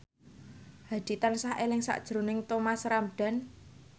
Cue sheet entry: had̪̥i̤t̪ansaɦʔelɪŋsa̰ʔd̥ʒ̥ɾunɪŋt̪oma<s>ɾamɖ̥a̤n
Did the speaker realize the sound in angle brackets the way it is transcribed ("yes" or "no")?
yes